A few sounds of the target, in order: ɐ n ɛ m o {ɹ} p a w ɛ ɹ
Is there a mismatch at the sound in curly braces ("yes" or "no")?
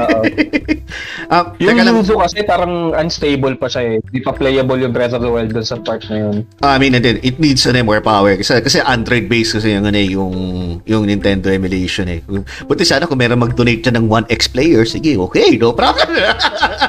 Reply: no